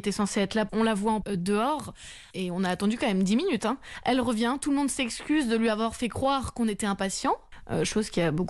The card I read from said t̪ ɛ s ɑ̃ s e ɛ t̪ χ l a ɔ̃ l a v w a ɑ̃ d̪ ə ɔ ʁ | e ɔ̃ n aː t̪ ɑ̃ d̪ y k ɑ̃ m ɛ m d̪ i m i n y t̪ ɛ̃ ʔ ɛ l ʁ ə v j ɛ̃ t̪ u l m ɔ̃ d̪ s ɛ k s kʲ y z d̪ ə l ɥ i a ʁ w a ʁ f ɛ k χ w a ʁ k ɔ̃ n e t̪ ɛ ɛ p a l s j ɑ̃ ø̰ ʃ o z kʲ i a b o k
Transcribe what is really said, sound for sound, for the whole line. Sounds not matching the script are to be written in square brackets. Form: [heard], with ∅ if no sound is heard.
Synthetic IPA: t̪ ɛ s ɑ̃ s e ɛ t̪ χ l a ɔ̃ l a v w a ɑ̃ d̪ ə ɔ ʁ | e ɔ̃ n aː t̪ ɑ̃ d̪ y k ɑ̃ m ɛ m d̪ i m i n y t̪ ɛ̃ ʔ ɛ l ʁ ə v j ɛ̃ t̪ u l m ɔ̃ d̪ s ɛ k s kʲ y z d̪ ə l ɥ i a [v] w a ʁ f ɛ k χ w a ʁ k ɔ̃ n e t̪ ɛ [ɛ̃] p a [∅] s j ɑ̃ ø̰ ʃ o z kʲ i a b o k